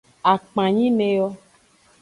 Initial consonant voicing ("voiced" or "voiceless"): voiceless